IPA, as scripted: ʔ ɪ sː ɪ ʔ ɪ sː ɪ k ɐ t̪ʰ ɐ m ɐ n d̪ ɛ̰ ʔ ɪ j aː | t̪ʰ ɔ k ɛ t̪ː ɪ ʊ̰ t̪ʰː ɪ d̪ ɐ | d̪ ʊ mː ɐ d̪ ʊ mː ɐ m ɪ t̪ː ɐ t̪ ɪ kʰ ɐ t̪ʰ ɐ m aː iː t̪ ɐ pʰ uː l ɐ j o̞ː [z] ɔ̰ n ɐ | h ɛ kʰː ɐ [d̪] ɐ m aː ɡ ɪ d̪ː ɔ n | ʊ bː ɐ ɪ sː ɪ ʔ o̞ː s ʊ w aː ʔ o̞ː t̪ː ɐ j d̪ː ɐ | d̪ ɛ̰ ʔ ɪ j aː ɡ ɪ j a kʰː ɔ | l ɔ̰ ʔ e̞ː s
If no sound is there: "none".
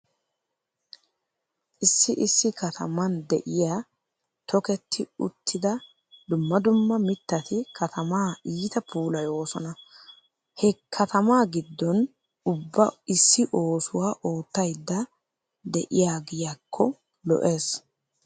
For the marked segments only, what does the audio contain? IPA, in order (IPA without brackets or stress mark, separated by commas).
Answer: s, t̪